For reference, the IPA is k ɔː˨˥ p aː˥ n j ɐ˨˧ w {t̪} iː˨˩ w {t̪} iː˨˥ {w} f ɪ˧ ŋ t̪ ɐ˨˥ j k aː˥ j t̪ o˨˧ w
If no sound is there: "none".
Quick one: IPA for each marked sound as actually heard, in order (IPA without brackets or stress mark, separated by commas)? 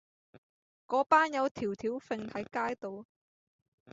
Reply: t̪ʰ, t̪ʰ, w